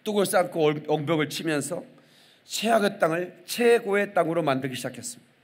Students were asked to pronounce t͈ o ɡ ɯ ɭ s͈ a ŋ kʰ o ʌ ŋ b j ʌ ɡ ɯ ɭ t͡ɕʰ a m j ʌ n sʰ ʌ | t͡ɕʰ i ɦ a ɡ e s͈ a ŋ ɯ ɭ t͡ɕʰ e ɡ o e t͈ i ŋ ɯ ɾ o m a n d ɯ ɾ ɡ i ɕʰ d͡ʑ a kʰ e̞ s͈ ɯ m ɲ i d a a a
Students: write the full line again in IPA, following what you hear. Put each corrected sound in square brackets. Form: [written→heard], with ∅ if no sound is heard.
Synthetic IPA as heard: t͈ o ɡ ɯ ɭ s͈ a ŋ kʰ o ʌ ŋ b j ʌ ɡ ɯ ɭ t͡ɕʰ [a→i] m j ʌ n sʰ ʌ | t͡ɕʰ [i→e] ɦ a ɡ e [s͈→t͈] a ŋ ɯ ɭ t͡ɕʰ e ɡ o e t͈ [i→a] ŋ ɯ ɾ o m a n d ɯ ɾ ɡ i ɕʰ d͡ʑ a kʰ e̞ s͈ ɯ m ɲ i d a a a

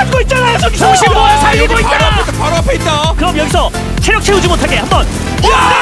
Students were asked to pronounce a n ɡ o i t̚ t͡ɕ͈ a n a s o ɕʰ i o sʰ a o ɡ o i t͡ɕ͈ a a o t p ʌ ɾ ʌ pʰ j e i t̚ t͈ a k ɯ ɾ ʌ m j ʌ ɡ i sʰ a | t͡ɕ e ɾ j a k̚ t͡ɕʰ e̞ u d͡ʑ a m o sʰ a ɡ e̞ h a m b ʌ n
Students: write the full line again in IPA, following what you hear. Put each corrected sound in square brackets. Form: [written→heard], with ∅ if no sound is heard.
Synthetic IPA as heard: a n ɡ o i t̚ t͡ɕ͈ a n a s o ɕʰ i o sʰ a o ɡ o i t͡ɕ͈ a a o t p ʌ ɾ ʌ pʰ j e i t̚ t͈ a k ɯ ɾ ʌ m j ʌ ɡ i sʰ [a→ʌ] | [t͡ɕ→t͡ɕʰ] e ɾ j [a→ʌ] k̚ t͡ɕʰ e̞ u d͡ʑ [a→i] m o [sʰ→tʰ] a ɡ e̞ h a m b ʌ n

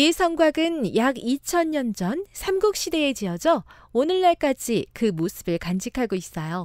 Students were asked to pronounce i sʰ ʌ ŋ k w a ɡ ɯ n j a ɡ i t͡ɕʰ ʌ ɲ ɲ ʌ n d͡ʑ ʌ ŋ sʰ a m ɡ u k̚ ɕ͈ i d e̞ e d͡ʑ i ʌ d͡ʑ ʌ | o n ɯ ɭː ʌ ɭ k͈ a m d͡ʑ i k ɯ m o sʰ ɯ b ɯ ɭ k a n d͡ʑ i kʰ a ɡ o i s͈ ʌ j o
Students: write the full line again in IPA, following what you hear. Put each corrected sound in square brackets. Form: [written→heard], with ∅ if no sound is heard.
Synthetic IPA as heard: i sʰ ʌ ŋ [k→ɡ] w a ɡ ɯ n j a ɡ i t͡ɕʰ ʌ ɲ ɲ ʌ n d͡ʑ ʌ [ŋ→n] sʰ a m ɡ u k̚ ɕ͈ i d e̞ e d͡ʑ i ʌ d͡ʑ ʌ | o n ɯ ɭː [ʌ→a] ɭ k͈ a [m→∅] d͡ʑ i k ɯ m o sʰ ɯ b ɯ ɭ k a n d͡ʑ i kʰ a ɡ o i s͈ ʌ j o

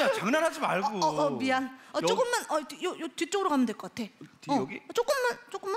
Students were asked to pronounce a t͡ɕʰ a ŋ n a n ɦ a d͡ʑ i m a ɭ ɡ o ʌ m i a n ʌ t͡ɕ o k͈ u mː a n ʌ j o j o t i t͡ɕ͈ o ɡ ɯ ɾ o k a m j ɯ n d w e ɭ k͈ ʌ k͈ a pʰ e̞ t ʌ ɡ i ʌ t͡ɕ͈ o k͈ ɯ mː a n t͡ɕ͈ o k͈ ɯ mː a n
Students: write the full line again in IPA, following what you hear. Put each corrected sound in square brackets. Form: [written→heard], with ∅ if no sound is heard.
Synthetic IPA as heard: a [t͡ɕʰ→t͡ɕ] a ŋ n a n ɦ a d͡ʑ i m a ɭ ɡ o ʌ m i a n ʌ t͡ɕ o k͈ [u→ɯ] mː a n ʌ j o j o t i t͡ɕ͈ o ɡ ɯ ɾ o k a m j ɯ n d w e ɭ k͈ ʌ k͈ a [pʰ→tʰ] e̞ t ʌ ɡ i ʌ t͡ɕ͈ o k͈ ɯ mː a n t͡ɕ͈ o k͈ ɯ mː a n

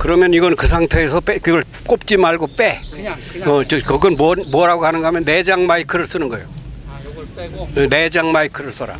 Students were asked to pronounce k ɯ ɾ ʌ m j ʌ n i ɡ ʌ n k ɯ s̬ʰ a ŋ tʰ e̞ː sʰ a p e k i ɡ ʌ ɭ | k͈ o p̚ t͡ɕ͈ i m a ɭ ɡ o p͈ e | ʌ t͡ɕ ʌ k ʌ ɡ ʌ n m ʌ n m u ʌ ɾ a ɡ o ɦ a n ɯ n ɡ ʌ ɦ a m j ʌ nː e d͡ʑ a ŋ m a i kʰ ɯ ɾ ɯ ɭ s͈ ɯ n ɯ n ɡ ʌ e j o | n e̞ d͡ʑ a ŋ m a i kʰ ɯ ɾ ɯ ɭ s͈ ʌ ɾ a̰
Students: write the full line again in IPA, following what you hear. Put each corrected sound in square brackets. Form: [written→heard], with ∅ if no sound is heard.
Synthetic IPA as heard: k ɯ ɾ ʌ m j ʌ n i ɡ ʌ n k ɯ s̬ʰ a ŋ tʰ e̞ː sʰ [a→ʌ] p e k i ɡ ʌ ɭ | k͈ o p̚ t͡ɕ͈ i m a ɭ ɡ o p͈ e | ʌ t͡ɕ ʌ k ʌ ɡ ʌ n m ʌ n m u ʌ ɾ a ɡ o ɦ a n ɯ n ɡ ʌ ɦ a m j ʌ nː e d͡ʑ a ŋ m a i kʰ ɯ ɾ ɯ ɭ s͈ ɯ n ɯ n ɡ ʌ e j o | n e̞ d͡ʑ a ŋ m a i kʰ ɯ ɾ ɯ ɭ s͈ ʌ ɾ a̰

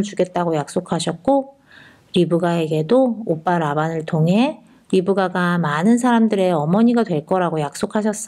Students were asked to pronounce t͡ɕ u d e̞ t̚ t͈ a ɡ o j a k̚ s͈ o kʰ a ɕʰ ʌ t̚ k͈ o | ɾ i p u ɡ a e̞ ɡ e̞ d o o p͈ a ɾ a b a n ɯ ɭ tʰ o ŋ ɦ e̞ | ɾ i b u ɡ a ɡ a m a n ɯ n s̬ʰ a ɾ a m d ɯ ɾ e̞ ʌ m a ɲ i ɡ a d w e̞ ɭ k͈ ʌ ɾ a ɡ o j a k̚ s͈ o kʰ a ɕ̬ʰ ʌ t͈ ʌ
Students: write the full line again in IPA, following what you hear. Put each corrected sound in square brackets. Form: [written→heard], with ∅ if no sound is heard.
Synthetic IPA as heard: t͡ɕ u [d→ɡ] e̞ t̚ t͈ a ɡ o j a k̚ s͈ o kʰ a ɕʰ ʌ t̚ k͈ o | ɾ i [p→b] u ɡ a e̞ ɡ e̞ d o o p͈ a ɾ a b a n ɯ ɭ tʰ o ŋ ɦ e̞ | ɾ i b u ɡ a ɡ a m a n ɯ n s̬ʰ a ɾ a m d ɯ ɾ e̞ ʌ m [a→ʌ] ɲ i ɡ a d w e̞ ɭ k͈ ʌ ɾ a ɡ o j a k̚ s͈ o kʰ a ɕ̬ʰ ʌ [t͈→s͈] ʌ

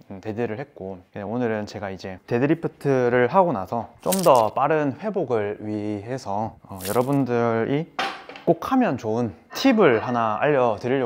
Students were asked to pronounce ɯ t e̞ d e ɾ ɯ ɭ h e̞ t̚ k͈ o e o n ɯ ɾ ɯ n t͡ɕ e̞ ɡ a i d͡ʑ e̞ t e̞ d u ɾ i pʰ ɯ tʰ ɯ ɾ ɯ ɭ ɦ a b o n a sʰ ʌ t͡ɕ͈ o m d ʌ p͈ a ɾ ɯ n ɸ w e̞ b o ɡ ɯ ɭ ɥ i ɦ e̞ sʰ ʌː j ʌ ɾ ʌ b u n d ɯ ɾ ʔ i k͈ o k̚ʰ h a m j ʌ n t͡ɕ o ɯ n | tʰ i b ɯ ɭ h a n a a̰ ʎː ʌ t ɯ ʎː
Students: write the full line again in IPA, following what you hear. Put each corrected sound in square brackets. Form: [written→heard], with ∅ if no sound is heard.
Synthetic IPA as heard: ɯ t e̞ d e ɾ ɯ ɭ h e̞ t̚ k͈ o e o n ɯ ɾ ɯ n t͡ɕ e̞ ɡ a i d͡ʑ e̞ t e̞ d [u→ɯ] ɾ i pʰ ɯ tʰ ɯ ɾ ɯ ɭ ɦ a [b→ɡ] o n a sʰ ʌ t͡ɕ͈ o m d ʌ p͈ a ɾ ɯ n ɸ w e̞ b o ɡ ɯ ɭ ɥ i ɦ e̞ sʰ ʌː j ʌ ɾ ʌ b u n d ɯ ɾ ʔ i k͈ o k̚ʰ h a m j ʌ n t͡ɕ o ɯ n | tʰ i b ɯ ɭ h a n a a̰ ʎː ʌ t ɯ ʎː

